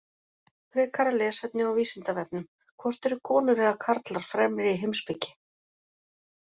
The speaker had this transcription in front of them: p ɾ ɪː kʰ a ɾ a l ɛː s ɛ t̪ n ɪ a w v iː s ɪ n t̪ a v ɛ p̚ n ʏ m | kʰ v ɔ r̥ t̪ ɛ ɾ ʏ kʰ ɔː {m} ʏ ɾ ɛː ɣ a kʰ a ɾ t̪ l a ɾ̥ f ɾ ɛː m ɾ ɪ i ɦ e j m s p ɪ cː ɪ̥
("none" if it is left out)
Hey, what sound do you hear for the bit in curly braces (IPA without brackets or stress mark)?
n